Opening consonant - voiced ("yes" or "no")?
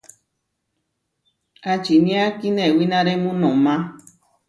no